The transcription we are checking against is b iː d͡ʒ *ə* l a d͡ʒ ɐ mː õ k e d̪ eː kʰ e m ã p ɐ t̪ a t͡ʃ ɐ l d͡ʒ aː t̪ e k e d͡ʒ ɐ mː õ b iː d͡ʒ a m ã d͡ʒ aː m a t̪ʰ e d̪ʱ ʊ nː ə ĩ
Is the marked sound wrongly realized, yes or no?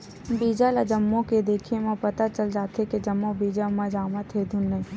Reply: yes